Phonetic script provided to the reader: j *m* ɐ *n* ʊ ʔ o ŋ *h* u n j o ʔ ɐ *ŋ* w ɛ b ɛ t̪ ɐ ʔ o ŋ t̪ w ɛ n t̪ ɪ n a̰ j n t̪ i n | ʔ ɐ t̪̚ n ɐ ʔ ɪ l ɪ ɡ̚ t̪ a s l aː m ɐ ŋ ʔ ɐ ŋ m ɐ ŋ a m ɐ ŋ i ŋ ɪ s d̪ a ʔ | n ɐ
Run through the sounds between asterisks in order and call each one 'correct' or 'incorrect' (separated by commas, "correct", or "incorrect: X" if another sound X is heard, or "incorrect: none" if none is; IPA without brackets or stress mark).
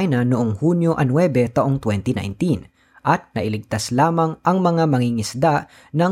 incorrect: n, correct, correct, incorrect: n